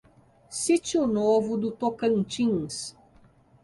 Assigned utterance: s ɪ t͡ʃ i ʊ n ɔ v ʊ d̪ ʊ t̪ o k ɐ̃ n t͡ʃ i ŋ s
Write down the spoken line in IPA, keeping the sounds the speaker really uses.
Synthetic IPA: s i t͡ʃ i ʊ n o v ʊ d̪ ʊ t̪ o k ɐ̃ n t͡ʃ ĩ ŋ s